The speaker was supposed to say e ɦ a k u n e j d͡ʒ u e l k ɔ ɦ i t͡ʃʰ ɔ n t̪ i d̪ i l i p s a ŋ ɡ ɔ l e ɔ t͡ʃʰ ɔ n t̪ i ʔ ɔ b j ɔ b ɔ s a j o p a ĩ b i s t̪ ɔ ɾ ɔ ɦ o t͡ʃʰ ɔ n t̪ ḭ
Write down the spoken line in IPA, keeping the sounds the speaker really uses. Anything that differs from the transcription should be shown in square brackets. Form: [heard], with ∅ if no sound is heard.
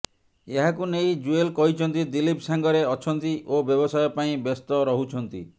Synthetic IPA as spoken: e ɦ a k u n e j d͡ʒ u e l k ɔ ɦ i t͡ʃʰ ɔ n t̪ i d̪ i l i p s a ŋ ɡ ɔ [ɾ] e ɔ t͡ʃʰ ɔ n t̪ i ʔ [o] b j ɔ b ɔ s a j [ɔ] p a ĩ b [e] s t̪ ɔ ɾ ɔ ɦ [u] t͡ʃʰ ɔ n t̪ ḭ